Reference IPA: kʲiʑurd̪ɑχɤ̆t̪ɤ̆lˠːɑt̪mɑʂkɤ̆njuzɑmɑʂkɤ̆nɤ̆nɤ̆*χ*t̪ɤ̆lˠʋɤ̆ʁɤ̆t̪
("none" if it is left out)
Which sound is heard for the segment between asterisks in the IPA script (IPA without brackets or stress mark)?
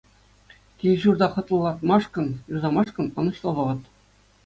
ɕ